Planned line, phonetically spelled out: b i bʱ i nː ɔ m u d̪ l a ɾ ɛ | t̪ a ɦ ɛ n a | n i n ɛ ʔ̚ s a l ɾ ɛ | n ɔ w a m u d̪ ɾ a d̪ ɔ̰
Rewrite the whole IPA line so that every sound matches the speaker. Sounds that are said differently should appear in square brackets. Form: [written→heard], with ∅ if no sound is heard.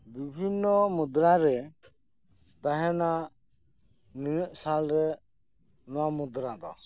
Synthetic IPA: b i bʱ i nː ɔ m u d̪ [l→ɾ] a ɾ ɛ | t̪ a ɦ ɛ n a | n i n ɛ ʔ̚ s a l ɾ ɛ | n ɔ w a m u d̪ ɾ a d̪ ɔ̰

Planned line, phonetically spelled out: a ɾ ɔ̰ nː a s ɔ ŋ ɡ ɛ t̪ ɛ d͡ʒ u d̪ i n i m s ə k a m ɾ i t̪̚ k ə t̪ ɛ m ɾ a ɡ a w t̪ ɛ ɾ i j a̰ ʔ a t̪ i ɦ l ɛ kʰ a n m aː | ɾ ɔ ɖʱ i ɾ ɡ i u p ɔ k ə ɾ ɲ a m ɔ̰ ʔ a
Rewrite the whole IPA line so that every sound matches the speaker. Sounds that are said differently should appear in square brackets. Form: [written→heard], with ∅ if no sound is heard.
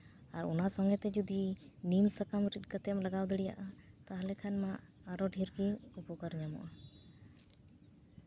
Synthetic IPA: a ɾ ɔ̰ [nː→n] a s ɔ ŋ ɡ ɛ t̪ ɛ d͡ʒ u d̪ i n i m s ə k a m ɾ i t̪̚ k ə t̪ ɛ m [ɾ→l] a ɡ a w [t̪→d̪] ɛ [ɾ→ɽ] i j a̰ ʔ a t̪ [i→a] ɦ l ɛ kʰ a n m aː | ɾ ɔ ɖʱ i ɾ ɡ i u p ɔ k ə ɾ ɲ a m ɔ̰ ʔ a

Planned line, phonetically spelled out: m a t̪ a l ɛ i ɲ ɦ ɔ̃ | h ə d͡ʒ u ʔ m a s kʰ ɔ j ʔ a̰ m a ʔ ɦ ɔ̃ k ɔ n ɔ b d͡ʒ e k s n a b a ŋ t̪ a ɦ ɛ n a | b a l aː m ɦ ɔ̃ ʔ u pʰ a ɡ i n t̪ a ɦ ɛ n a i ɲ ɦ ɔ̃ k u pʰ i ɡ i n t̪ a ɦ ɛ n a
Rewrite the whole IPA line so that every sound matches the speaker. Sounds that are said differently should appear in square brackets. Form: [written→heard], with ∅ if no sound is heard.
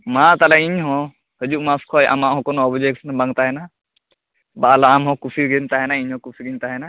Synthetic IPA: m a t̪ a l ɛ i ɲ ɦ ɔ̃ | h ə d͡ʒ u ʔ m a s kʰ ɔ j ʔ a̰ m a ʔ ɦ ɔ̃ k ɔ n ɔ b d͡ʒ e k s n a b a ŋ t̪ a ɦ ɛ n a | b a l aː m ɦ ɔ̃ [ʔ→k] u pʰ [a→i] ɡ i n t̪ a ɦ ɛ n a i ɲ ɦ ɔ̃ k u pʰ i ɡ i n t̪ a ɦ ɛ n a

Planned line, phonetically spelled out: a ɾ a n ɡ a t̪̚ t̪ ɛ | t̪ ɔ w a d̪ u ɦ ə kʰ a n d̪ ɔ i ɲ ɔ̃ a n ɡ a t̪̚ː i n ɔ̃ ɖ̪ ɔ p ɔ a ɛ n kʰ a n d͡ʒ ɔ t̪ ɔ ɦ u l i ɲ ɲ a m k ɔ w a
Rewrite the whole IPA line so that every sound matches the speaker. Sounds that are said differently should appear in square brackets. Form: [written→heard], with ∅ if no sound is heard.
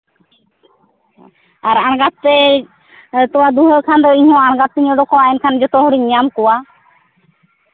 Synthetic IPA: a ɾ a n ɡ a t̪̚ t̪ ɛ | t̪ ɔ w a d̪ u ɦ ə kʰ a n d̪ ɔ i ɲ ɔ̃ a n ɡ a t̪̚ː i [n→ɲ] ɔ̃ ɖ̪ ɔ [p→k] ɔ a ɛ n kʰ a n d͡ʒ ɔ t̪ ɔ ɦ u [l→ɽ] i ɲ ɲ a m k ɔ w a

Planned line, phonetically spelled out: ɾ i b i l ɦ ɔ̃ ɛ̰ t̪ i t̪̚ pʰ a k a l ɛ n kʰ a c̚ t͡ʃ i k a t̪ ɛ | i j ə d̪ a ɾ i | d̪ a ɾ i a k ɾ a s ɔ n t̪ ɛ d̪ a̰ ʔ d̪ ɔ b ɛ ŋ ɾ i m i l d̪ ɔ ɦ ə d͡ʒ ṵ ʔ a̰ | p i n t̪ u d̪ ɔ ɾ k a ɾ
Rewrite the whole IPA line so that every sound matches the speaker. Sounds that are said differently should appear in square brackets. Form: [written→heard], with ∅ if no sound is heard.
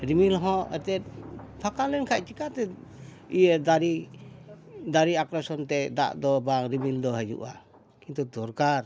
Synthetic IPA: ɾ i [b→m] i l ɦ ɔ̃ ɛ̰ t̪ [i→ɛ] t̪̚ pʰ a k a l ɛ n kʰ a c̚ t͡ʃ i k a t̪ ɛ | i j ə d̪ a ɾ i | d̪ a ɾ i a k ɾ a s ɔ n t̪ ɛ d̪ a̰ ʔ d̪ ɔ b [ɛ→a] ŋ ɾ i m i l d̪ ɔ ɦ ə d͡ʒ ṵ ʔ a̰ | [p→k] i n t̪ u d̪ ɔ ɾ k a ɾ

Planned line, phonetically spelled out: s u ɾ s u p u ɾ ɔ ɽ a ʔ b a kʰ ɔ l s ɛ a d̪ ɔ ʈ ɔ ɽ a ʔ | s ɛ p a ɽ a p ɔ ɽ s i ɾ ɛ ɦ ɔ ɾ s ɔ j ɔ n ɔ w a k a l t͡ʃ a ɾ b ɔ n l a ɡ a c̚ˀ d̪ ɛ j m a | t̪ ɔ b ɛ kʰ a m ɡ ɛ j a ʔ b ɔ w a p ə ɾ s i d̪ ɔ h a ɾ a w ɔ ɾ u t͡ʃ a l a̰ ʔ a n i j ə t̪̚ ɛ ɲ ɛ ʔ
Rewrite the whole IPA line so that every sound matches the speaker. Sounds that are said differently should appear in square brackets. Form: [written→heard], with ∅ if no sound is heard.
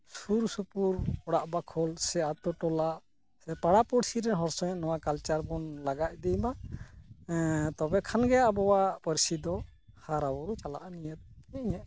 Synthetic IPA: s u ɾ s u p u ɾ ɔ ɽ a ʔ b a kʰ ɔ l s ɛ a [d̪→t̪] ɔ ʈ ɔ [ɽ→l] a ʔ | s ɛ p a ɽ a p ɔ ɽ s i ɾ ɛ ɦ ɔ ɾ s ɔ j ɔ n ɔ w a k a l t͡ʃ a ɾ b ɔ n l a ɡ a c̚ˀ d̪ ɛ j m a | t̪ ɔ b ɛ kʰ a [m→n] ɡ ɛ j a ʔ b ɔ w a p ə ɾ s i d̪ ɔ h a ɾ a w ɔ ɾ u t͡ʃ a l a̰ ʔ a n i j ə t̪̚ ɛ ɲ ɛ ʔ

